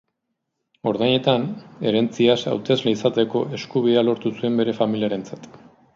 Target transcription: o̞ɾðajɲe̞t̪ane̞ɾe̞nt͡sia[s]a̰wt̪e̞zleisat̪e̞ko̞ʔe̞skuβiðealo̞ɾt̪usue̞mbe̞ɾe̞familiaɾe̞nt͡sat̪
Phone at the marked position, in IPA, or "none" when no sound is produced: s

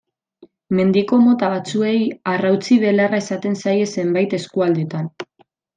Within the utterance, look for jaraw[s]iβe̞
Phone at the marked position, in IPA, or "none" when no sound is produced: t͡s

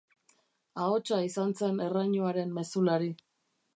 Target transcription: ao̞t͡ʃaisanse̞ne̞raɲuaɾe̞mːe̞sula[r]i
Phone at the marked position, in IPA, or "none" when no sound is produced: ɾ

